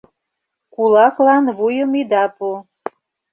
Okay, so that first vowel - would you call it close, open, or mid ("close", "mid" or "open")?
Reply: close